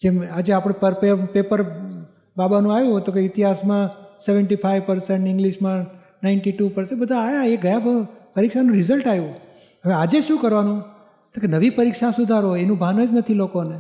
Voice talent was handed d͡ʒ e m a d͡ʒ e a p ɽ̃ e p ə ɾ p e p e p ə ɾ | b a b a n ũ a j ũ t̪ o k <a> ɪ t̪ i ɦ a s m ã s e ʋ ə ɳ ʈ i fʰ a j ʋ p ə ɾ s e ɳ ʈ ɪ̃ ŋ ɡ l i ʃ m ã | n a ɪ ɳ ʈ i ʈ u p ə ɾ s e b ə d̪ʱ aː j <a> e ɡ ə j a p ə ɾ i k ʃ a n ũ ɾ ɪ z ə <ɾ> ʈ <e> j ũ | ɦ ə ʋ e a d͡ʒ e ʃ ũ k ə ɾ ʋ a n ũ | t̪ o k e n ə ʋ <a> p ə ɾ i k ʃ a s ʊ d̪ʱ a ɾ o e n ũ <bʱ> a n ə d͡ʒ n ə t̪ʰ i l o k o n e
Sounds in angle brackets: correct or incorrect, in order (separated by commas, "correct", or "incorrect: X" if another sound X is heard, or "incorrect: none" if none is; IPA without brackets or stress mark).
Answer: incorrect: e, correct, incorrect: l, incorrect: a, incorrect: i, correct